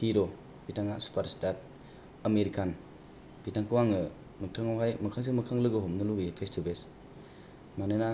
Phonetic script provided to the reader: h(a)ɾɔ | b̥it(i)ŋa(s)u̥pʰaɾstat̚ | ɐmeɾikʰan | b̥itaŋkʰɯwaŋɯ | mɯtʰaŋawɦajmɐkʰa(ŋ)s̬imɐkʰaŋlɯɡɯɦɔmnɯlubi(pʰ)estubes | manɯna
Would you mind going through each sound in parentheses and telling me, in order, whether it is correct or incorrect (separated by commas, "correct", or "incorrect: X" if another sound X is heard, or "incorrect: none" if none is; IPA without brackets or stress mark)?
incorrect: i, incorrect: a, correct, correct, correct